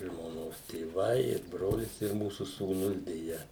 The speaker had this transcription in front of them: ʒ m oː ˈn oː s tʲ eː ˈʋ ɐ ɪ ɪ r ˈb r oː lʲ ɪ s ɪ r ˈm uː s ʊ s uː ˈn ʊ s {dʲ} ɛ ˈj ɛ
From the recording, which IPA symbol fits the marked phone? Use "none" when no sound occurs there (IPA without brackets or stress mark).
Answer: dʲ